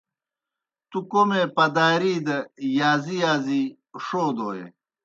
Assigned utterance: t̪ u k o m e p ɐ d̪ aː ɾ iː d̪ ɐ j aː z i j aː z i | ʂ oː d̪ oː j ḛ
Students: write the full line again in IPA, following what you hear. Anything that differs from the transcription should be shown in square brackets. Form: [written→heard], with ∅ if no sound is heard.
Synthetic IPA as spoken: t̪ u k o m e p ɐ d̪ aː ɾ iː d̪ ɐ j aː z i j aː z i | ʂ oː d̪ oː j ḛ